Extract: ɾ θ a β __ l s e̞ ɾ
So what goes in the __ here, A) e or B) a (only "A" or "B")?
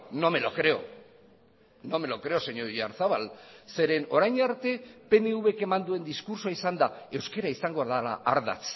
B